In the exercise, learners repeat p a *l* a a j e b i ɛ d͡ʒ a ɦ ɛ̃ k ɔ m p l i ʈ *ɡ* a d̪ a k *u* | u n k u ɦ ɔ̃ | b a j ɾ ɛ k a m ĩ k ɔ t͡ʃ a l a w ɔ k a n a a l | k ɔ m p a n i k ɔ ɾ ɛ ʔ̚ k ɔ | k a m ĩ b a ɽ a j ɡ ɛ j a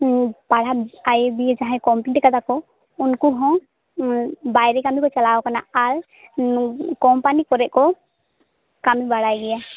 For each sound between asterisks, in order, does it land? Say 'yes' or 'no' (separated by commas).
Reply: no, no, no